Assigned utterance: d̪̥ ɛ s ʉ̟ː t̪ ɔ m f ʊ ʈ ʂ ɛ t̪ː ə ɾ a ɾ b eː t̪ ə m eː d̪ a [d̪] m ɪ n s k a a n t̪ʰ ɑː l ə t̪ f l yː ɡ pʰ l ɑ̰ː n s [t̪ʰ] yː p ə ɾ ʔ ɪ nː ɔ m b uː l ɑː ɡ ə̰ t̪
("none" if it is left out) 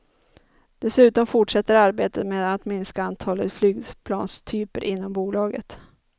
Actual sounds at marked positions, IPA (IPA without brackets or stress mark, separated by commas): t̪, t̪ʰ